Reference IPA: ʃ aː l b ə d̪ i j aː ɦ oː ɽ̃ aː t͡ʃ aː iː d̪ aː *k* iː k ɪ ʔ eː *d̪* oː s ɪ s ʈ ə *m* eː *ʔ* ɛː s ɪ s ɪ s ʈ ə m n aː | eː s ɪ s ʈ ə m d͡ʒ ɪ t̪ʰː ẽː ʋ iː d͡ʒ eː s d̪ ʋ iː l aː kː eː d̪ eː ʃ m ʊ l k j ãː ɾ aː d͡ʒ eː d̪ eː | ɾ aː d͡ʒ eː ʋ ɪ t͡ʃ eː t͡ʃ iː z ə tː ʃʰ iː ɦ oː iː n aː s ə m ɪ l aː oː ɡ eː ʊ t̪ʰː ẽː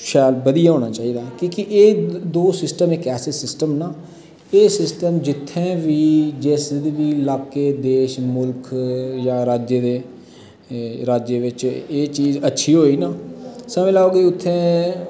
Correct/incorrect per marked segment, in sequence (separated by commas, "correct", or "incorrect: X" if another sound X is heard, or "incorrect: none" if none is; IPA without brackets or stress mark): correct, correct, correct, incorrect: k